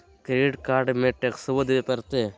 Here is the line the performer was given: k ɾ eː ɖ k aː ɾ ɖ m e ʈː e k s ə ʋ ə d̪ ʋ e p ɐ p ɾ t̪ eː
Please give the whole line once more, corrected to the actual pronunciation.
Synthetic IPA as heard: k ɾ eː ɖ k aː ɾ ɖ m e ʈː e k s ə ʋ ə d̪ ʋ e p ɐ ɾ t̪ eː